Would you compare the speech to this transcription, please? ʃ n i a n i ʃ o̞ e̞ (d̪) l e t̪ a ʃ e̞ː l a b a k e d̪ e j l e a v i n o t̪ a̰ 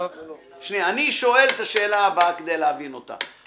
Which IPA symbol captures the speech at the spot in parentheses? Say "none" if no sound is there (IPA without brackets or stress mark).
none